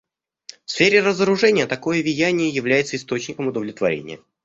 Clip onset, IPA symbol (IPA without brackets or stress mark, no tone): f